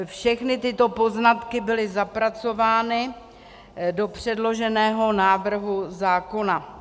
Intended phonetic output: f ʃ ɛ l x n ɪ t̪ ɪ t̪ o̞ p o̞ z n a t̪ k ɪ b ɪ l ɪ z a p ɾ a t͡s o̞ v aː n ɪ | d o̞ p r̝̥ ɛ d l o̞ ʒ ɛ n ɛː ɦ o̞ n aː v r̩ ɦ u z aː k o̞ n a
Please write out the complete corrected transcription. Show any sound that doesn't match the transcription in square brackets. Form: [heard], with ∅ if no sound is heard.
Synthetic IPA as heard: f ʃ ɛ [∅] x n ɪ t̪ ɪ t̪ o̞ p o̞ z n a t̪ k ɪ b ɪ l ɪ z a p ɾ a t͡s o̞ v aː n ɪ | d o̞ p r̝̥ ɛ d l o̞ ʒ ɛ n ɛː ɦ o̞ n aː v r̩ ɦ u z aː k o̞ n a